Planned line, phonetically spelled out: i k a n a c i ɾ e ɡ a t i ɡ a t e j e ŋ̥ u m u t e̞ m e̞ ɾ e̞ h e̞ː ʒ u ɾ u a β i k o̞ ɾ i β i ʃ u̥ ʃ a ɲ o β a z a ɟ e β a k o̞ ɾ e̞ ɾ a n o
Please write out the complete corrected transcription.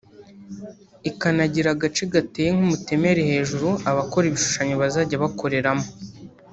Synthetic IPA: i k a n a ɟ i ɾ a ɡ a t͡ʃ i ɡ a t e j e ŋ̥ u m u t e̞ m e̞ ɾ e̞ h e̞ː ʒ u ɾ u a β a k o̞ ɾ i β i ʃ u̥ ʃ a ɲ o β a z a ɟ a β a k o̞ ɾ e̞ ɾ a m o